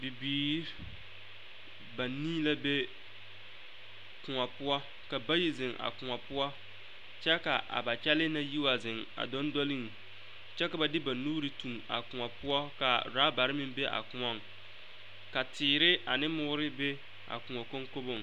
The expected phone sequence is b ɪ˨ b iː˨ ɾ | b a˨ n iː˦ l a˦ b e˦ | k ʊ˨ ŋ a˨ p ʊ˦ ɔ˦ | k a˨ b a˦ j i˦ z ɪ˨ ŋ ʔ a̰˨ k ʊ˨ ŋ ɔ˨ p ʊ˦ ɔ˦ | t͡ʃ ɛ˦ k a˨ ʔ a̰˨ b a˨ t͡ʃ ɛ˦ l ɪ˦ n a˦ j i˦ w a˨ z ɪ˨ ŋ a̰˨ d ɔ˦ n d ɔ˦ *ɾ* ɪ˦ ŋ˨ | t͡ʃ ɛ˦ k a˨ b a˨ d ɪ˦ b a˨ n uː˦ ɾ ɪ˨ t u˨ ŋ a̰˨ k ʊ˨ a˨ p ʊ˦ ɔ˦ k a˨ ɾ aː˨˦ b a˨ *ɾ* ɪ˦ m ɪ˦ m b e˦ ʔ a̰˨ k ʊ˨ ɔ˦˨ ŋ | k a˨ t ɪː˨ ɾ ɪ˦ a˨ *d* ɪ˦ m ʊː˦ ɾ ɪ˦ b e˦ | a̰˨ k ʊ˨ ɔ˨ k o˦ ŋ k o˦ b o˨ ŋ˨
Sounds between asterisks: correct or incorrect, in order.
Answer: incorrect, correct, incorrect

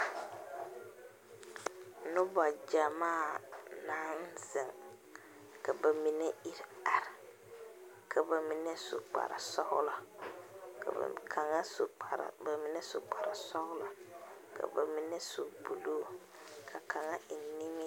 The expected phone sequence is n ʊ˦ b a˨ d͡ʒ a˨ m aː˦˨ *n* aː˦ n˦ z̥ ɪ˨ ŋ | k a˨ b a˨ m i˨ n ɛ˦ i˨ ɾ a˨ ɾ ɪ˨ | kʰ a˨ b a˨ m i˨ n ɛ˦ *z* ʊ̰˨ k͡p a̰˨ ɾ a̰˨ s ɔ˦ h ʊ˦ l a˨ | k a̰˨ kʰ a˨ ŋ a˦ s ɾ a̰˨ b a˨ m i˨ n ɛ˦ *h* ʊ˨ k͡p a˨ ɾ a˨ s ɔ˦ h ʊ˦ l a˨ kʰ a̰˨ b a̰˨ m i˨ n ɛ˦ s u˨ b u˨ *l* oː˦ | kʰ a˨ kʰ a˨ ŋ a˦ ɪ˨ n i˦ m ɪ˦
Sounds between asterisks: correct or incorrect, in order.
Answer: correct, incorrect, incorrect, correct

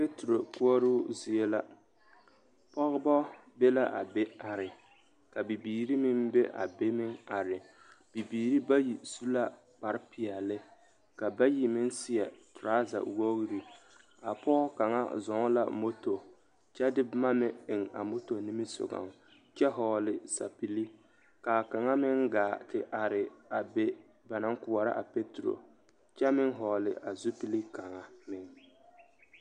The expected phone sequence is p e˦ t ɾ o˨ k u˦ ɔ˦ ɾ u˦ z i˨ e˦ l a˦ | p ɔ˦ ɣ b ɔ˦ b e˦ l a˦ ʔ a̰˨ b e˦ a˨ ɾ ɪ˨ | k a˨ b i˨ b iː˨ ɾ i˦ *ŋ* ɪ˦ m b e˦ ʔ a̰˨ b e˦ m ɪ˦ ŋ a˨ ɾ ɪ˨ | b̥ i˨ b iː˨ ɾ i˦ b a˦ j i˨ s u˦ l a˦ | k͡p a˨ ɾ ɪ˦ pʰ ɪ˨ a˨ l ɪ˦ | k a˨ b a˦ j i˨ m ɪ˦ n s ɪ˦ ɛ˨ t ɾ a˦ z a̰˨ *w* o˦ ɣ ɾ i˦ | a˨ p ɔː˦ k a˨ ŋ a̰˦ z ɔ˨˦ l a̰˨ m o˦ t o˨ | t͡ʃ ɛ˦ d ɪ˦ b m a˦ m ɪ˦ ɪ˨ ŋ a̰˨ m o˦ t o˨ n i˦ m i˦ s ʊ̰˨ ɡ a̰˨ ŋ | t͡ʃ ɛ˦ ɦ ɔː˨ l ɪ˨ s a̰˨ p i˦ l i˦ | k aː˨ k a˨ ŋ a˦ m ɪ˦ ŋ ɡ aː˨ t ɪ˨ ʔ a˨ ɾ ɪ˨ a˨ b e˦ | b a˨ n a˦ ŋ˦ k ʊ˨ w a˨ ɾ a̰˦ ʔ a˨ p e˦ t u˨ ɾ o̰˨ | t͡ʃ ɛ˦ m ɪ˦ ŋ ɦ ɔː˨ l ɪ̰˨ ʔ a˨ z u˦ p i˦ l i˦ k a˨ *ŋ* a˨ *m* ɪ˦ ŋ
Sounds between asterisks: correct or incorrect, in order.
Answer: incorrect, correct, correct, correct

